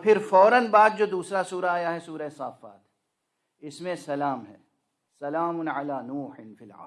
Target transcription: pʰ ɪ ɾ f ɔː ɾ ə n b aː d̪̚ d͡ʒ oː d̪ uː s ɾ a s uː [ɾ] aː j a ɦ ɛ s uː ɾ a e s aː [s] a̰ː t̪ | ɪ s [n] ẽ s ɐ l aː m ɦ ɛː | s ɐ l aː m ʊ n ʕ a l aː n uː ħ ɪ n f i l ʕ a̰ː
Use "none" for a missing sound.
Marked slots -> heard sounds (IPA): ɾ, f, m

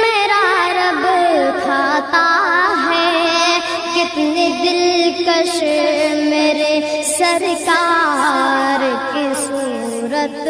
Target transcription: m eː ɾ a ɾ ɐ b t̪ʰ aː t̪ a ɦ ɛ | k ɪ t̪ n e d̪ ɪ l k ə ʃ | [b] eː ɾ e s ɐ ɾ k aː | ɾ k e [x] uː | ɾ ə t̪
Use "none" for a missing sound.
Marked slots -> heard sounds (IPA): m, s

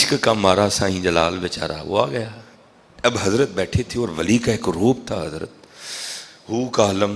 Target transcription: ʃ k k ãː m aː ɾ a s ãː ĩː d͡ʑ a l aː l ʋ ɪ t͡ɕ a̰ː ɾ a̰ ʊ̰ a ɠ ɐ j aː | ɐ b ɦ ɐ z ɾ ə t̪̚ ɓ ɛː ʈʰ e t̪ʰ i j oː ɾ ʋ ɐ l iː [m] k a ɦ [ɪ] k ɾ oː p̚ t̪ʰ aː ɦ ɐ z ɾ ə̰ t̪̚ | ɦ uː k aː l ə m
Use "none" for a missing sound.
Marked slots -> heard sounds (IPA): none, ɪ

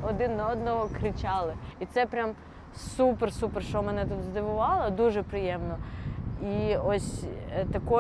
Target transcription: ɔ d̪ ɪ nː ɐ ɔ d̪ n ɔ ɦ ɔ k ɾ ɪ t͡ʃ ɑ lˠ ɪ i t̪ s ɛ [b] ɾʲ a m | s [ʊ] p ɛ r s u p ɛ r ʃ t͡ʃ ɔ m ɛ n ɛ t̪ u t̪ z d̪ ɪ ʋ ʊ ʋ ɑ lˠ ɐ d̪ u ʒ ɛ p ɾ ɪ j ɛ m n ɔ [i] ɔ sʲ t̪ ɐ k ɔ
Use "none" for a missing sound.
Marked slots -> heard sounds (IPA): p, u, i

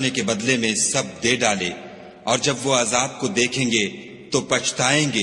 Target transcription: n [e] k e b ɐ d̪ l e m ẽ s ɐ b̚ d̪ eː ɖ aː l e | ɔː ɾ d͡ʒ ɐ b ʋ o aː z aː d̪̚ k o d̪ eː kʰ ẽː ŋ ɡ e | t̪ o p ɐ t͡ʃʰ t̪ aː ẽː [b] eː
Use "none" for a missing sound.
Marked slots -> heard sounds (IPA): e, ɡ

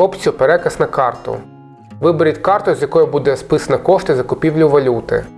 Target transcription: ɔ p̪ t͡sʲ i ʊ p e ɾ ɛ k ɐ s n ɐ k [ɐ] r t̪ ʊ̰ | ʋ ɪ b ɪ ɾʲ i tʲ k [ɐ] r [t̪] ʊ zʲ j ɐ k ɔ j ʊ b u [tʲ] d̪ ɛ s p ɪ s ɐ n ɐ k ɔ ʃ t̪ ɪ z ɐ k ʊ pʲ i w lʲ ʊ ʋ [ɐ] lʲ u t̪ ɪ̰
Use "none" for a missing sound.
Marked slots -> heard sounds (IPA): ɑ, ɑ, t̪, none, ɐ

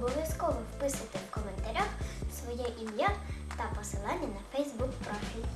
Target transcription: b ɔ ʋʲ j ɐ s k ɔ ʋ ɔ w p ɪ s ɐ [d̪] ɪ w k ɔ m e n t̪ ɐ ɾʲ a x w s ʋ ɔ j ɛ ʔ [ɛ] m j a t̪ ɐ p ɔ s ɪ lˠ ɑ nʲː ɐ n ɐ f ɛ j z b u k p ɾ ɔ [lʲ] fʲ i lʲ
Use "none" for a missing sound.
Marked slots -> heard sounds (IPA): t̪, i, none

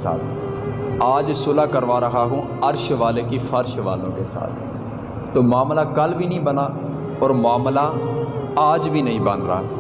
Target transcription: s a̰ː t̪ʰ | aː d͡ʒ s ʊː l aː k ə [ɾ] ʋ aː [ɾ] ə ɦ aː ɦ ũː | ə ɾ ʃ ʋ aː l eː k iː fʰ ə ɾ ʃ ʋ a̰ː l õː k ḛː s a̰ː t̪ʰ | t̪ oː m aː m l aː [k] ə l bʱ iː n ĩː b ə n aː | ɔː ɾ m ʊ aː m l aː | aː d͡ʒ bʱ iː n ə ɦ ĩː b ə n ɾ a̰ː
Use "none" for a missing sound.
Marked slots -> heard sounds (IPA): ɾ, ɾ, k

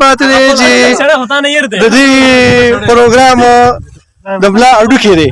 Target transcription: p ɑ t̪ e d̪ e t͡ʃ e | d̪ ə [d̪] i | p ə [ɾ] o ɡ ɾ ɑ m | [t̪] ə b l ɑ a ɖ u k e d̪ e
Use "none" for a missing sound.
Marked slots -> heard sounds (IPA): d̪, ɾ, d̪

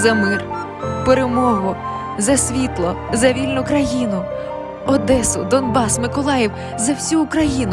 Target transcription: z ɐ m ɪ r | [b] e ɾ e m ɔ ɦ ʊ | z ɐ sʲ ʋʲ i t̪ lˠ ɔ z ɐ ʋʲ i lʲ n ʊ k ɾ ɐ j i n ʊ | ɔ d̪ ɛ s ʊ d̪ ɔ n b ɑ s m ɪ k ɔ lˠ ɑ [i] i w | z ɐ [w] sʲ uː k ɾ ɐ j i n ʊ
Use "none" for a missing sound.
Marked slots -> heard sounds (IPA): p, j, w

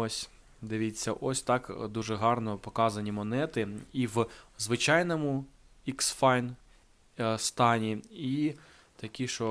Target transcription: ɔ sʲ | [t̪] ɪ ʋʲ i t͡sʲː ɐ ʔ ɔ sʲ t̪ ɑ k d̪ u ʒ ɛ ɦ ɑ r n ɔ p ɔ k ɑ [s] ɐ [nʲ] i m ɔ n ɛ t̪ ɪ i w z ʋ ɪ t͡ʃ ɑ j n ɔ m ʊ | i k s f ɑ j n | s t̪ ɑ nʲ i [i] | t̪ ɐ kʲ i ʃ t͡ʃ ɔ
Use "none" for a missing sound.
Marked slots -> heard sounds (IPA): d̪, z, nʲ, i

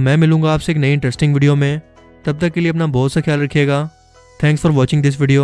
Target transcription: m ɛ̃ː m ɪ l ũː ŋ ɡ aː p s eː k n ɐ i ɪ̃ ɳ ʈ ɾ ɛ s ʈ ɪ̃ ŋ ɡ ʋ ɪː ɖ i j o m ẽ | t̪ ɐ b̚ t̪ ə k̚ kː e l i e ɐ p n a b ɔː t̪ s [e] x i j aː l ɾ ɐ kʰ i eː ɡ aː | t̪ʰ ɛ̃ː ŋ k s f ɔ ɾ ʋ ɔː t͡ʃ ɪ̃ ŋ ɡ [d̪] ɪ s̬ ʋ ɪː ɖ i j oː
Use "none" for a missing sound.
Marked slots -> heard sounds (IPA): a, d̪

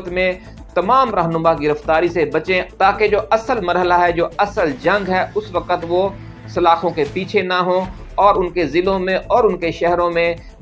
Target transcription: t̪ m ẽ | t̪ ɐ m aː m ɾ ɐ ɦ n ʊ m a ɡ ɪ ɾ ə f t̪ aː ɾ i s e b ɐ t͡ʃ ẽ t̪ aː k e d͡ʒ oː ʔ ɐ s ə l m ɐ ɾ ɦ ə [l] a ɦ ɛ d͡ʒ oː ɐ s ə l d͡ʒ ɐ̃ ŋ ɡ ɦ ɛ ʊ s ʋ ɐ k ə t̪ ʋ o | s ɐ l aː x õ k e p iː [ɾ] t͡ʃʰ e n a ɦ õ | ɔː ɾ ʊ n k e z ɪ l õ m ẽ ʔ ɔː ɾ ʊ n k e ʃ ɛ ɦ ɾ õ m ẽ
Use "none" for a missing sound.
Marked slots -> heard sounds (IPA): l, none

